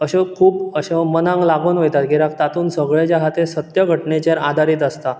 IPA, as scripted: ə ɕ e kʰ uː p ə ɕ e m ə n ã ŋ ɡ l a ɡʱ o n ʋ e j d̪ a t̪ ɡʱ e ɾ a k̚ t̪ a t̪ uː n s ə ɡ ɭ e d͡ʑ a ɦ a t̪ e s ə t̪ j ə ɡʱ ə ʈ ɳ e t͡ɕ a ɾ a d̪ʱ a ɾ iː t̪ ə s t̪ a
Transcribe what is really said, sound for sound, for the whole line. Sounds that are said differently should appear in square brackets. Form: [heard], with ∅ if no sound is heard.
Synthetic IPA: ə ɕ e kʰ uː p ə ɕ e m ə n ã ŋ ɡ l a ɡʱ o n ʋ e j [t̪] a t̪ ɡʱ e ɾ a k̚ t̪ a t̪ uː n s ə ɡ ɭ e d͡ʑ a ɦ a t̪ e s ə t̪ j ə ɡʱ ə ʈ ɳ e t͡ɕ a ɾ a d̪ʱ a ɾ iː t̪ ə s t̪ a